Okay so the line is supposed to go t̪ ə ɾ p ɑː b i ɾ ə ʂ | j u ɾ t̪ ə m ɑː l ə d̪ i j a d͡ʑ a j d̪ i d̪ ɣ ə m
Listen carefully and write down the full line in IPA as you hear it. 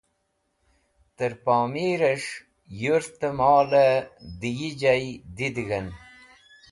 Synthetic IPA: t̪ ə ɾ p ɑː m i ɾ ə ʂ | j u ɾ t̪ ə m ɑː l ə d̪ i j i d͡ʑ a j d̪ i d̪ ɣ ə n

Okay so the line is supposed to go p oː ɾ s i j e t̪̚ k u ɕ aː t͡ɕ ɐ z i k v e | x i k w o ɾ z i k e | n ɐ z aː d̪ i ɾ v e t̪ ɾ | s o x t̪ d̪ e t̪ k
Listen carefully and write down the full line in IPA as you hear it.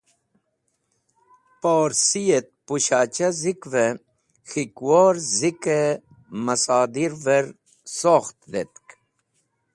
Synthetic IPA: p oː ɾ s i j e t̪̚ p u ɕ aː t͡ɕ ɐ z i k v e | x i k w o ɾ z i k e | m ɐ s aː d̪ i ɾ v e ɾ | s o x t̪ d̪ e t̪ k

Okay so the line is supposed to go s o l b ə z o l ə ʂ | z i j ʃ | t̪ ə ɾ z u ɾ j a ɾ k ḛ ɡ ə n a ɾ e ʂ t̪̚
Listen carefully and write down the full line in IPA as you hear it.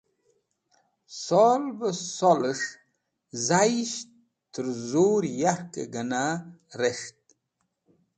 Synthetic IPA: s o l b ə s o l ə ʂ | z a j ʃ | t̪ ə ɾ z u ɾ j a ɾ k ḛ ɡ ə n a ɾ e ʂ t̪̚

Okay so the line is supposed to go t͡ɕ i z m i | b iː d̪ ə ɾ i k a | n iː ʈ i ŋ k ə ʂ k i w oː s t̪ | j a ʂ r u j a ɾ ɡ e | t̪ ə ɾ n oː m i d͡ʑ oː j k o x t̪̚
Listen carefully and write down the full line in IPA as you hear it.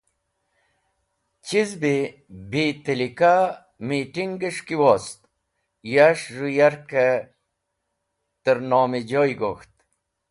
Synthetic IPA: t͡ɕ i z b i | b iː t̪ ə l i k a | m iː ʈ i ŋ ɡ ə ʂ k i w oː s t̪ | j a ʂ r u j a ɾ k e | t̪ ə ɾ n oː m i d͡ʑ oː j ɡ o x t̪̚

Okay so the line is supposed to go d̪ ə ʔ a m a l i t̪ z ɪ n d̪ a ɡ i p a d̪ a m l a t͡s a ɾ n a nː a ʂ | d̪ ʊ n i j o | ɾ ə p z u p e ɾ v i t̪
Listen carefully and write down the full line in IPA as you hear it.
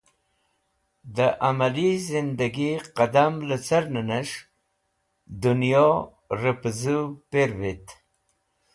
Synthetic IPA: d̪ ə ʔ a m a l i z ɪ n d̪ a ɡ i q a d̪ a m l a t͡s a ɾ n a n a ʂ | d̪ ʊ n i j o | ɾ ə p z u p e ɾ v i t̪

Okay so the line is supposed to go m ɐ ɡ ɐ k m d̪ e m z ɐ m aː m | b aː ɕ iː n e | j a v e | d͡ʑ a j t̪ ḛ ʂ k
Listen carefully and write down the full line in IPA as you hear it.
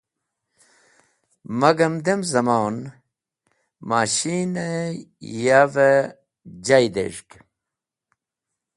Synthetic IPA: m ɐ ɡ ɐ m d̪ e m z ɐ m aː n | m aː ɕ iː n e | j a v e | d͡ʑ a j d̪ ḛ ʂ k

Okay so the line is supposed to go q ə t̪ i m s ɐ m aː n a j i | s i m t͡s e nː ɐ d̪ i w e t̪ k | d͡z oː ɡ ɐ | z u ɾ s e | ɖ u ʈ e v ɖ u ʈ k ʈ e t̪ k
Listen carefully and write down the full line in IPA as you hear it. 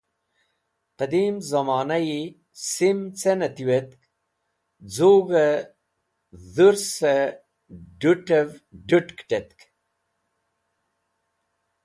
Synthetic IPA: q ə d̪ i m z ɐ m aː n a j i | s i m t͡s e n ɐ t̪ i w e t̪ k | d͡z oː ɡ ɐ | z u ɾ s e | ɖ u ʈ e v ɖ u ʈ k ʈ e t̪ k

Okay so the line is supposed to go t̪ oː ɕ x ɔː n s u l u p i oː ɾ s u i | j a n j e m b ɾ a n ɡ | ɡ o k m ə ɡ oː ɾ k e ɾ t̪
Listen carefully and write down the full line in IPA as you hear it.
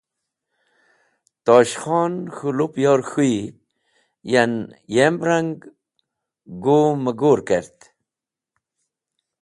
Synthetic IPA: t̪ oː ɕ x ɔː n x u l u p j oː ɾ x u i | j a n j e m b ɾ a ŋ ɡ | ɡ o m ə ɡ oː ɾ k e ɾ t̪

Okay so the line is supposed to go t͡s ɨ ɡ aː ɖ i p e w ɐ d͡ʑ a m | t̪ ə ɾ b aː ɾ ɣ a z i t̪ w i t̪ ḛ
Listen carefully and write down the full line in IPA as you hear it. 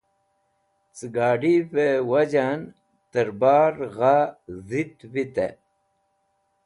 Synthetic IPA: t͡s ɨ ɡ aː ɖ i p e w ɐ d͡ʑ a n | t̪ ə ɾ b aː ɾ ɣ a z i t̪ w i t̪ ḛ

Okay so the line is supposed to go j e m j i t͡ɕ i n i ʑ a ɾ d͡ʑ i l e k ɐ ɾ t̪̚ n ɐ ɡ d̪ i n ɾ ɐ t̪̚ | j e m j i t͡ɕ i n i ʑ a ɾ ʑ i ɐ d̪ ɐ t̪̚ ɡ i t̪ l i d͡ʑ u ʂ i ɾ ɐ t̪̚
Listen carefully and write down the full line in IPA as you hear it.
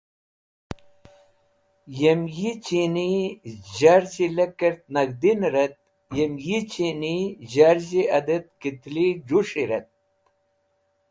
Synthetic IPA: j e m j i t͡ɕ i n i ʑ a ɾ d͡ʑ i l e k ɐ ɾ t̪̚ n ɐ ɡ d̪ i n ɾ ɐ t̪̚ | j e m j i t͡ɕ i n i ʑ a ɾ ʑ i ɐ d̪ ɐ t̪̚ k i t̪ l i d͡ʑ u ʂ i ɾ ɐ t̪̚

